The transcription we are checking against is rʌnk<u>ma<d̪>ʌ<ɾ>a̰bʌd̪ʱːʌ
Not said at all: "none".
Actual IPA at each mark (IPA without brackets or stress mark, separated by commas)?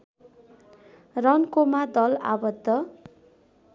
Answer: o, d̪, l